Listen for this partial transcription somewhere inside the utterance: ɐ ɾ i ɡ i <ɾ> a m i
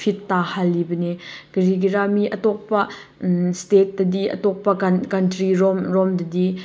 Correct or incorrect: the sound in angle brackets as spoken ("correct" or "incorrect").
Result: correct